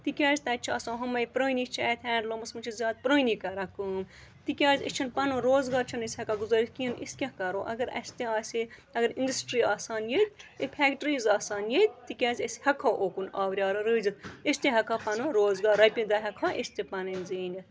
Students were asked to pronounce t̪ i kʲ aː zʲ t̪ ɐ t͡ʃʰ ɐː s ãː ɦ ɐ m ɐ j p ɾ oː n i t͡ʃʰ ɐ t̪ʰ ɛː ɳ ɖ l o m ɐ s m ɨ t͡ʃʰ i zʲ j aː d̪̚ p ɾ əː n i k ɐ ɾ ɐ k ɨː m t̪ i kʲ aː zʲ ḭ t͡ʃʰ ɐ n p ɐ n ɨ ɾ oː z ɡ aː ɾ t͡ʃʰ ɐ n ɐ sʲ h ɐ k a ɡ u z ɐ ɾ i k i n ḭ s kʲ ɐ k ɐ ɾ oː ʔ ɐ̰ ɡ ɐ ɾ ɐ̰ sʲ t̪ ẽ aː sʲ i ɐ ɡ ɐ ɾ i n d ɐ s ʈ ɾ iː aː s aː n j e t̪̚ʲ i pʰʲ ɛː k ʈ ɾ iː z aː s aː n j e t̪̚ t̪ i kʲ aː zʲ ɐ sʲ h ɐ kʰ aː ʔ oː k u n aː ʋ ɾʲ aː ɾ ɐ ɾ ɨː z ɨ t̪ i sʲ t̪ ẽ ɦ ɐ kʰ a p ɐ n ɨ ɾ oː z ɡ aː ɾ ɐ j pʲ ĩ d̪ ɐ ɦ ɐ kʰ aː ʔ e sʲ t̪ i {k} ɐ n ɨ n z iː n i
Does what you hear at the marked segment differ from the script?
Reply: yes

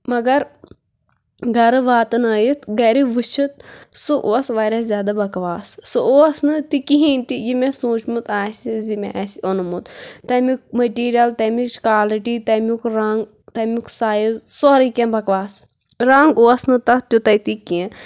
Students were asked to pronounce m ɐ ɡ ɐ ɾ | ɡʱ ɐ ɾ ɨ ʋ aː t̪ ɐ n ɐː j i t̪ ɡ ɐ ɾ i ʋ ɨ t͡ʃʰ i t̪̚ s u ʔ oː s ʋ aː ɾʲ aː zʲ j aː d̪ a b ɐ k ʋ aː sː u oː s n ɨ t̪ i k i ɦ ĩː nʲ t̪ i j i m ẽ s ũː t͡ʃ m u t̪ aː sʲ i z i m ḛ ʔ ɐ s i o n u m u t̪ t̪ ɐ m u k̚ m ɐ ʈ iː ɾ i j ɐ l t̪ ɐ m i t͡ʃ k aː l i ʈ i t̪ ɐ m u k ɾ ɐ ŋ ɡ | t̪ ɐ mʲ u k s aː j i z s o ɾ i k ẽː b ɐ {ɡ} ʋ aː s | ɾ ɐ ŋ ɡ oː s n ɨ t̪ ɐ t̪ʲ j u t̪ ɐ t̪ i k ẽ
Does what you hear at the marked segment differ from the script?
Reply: yes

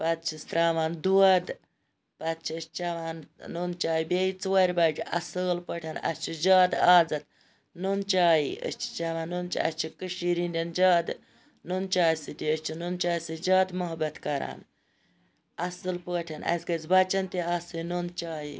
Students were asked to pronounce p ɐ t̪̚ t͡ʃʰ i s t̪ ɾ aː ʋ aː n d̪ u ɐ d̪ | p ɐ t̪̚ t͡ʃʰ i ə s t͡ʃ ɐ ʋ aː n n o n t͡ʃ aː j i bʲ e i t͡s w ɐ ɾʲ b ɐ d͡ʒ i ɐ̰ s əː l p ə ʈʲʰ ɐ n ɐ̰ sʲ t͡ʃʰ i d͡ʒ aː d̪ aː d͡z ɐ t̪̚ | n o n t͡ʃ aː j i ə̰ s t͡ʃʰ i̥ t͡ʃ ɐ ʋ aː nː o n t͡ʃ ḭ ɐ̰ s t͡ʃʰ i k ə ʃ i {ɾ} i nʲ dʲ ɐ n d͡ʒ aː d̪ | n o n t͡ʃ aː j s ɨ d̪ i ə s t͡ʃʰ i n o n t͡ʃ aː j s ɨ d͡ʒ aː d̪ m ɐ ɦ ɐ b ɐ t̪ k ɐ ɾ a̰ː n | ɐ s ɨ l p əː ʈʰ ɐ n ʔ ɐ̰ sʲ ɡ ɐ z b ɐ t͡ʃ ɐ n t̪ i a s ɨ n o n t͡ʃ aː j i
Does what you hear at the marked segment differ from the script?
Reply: no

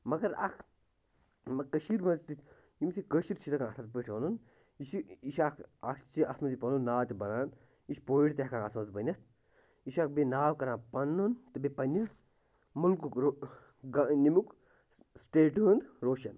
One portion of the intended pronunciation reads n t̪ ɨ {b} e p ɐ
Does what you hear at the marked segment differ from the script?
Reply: no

